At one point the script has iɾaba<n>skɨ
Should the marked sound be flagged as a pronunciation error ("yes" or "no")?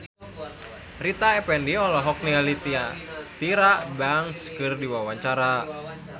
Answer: yes